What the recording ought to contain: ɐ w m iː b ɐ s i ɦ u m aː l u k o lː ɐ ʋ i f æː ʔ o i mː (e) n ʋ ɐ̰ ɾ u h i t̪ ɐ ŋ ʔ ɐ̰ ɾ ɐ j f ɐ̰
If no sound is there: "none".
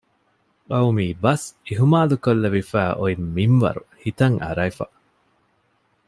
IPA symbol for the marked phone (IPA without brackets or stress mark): i